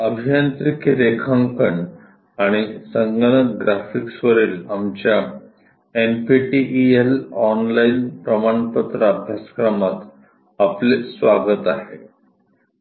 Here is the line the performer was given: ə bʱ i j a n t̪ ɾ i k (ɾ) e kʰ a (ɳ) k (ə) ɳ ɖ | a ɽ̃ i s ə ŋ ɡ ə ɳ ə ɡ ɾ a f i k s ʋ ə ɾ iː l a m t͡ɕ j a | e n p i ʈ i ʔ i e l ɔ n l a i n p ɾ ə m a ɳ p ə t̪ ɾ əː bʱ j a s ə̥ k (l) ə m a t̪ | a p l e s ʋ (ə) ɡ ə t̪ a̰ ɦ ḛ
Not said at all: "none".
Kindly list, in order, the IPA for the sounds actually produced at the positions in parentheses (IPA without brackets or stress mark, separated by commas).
ɾ, ŋ, ə, ɾ, a